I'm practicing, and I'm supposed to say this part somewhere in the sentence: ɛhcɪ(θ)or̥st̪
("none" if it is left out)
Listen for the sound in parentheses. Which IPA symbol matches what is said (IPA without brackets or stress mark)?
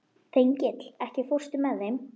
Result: f